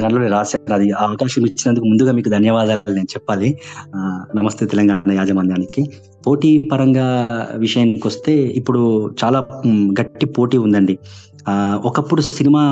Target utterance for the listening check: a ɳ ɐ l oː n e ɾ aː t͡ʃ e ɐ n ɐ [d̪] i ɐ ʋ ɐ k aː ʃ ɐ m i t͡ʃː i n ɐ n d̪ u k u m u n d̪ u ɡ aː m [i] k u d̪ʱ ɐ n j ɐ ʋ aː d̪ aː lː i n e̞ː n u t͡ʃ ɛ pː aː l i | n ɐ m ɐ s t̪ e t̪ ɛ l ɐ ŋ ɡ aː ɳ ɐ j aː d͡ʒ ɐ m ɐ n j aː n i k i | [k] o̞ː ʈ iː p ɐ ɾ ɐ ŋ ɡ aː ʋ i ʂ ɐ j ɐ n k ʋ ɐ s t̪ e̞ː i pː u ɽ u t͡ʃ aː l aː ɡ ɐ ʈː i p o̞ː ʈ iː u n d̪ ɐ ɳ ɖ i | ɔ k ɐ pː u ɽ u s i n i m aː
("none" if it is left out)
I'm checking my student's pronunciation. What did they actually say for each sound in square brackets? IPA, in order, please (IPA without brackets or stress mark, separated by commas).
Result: d̪, iː, p